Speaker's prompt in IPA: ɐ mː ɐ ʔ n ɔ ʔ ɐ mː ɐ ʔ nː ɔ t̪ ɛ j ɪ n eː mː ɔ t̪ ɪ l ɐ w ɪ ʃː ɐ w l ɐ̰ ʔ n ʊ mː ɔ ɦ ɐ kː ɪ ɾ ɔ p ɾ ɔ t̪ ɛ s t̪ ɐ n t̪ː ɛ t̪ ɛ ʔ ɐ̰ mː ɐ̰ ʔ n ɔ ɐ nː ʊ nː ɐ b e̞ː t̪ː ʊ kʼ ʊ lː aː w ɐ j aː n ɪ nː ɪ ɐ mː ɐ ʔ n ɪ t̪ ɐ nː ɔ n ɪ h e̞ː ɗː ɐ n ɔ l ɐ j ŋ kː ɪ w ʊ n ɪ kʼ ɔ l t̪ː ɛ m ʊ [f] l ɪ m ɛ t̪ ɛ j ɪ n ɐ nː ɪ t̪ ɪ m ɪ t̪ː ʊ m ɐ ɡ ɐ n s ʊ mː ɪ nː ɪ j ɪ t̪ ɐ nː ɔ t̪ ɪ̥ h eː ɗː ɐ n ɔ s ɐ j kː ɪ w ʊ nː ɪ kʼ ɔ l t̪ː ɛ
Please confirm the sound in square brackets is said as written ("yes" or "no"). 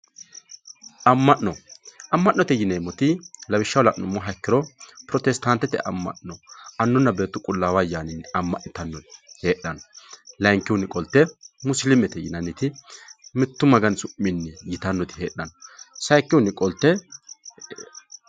no